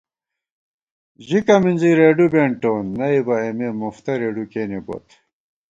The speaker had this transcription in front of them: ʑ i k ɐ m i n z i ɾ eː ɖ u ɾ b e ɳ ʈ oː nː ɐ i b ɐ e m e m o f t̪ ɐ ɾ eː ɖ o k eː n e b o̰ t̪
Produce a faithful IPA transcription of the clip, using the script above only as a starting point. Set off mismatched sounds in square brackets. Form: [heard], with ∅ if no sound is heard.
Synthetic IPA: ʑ i k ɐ m i n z i ɾ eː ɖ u [∅] b e ɳ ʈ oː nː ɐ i b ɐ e m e m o f t̪ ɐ ɾ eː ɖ [u] k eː n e b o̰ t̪